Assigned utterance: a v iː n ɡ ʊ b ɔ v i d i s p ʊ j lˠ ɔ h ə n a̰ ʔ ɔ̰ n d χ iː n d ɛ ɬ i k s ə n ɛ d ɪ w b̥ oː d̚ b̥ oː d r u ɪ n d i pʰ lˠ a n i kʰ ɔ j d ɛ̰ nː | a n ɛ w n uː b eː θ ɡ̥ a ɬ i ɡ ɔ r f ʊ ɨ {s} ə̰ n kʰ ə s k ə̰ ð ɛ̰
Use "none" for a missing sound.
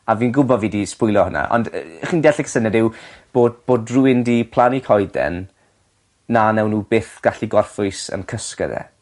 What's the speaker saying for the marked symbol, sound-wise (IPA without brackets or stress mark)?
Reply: s